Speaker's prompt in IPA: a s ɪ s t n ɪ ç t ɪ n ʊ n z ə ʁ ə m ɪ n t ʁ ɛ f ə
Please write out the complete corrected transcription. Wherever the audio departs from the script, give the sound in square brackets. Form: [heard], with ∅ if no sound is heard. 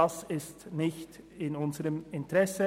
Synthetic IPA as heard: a s ɪ s t n ɪ ç t ɪ n ʊ n z ə ʁ ə m ɪ n t ʁ ɛ [s] ə